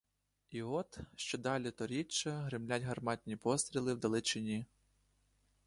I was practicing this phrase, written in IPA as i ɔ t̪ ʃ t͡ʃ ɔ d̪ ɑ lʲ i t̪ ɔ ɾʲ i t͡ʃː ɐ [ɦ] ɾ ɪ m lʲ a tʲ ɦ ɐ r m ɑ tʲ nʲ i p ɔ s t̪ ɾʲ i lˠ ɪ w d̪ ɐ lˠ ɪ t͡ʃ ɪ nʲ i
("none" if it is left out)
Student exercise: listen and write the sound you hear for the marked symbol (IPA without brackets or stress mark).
ɦ